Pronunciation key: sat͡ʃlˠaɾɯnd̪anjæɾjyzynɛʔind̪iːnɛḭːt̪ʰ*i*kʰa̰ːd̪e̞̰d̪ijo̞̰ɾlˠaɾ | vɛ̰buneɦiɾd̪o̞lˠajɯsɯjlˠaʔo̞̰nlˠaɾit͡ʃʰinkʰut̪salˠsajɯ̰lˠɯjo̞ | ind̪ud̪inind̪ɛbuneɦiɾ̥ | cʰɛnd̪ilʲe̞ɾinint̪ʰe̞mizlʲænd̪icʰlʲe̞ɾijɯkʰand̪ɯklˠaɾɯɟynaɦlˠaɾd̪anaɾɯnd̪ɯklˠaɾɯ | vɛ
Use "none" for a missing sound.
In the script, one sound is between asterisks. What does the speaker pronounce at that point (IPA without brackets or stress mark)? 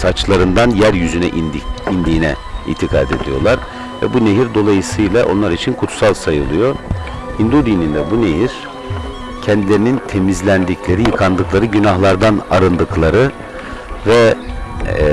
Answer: i